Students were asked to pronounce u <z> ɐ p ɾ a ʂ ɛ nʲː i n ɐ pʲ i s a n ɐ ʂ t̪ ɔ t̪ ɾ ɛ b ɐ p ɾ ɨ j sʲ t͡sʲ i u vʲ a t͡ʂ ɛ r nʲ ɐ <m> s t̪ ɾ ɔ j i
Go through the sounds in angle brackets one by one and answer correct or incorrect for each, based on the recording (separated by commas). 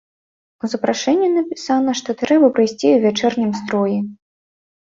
correct, correct